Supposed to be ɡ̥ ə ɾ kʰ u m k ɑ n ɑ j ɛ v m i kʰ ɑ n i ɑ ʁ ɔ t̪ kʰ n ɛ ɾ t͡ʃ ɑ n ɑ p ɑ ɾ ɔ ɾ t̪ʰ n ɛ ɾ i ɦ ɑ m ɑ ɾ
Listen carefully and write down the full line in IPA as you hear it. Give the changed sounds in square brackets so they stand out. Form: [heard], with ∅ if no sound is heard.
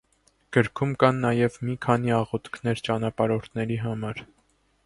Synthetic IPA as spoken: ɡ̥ ə ɾ kʰ u m k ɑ [nː] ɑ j ɛ v m i kʰ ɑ n i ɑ ʁ ɔ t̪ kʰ n ɛ ɾ t͡ʃ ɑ n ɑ p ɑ ɾ ɔ ɾ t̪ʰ n ɛ ɾ i ɦ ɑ m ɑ ɾ